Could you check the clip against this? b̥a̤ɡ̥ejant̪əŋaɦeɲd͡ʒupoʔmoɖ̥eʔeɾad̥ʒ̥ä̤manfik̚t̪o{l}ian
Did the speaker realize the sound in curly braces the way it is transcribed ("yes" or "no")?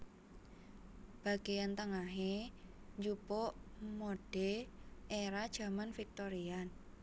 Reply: no